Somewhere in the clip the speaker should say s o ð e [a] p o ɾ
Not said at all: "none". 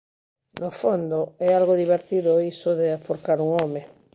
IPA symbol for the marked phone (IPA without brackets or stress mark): a